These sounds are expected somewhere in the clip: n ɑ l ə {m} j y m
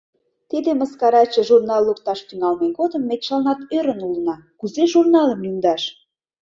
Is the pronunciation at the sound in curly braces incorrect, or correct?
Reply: correct